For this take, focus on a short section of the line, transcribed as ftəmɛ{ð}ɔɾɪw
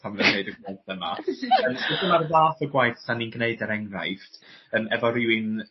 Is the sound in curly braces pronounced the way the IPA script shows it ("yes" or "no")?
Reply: no